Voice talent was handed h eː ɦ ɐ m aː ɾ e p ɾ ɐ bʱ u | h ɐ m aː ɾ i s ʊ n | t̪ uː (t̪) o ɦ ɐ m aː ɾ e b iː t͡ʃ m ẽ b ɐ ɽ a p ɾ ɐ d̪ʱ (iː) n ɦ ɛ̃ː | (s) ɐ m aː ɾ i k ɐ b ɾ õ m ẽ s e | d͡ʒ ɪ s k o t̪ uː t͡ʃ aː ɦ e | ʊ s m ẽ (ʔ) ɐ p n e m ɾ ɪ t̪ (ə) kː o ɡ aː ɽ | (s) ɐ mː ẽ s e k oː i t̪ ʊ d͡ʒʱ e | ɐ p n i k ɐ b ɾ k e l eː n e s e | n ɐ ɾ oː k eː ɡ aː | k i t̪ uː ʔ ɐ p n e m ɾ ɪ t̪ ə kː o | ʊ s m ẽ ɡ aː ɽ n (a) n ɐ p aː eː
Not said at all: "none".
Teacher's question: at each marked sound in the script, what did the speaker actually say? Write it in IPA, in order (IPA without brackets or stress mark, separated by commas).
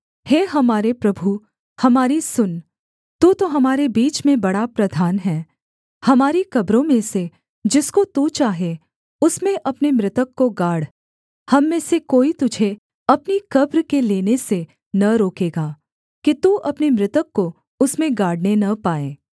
t̪, aː, h, ʔ, ə, h, e